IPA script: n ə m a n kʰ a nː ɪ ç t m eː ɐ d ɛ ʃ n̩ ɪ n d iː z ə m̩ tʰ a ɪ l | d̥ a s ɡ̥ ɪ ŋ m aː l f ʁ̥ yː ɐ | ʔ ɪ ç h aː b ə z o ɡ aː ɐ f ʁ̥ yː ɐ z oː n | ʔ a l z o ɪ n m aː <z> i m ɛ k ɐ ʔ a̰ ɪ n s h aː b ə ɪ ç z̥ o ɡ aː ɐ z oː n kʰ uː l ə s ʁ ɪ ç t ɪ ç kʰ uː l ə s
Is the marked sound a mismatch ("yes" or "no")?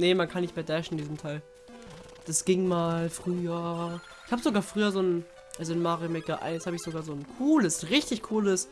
yes